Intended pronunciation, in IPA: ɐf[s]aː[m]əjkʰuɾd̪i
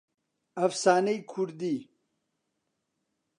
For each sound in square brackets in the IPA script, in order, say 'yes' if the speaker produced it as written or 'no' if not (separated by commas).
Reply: yes, no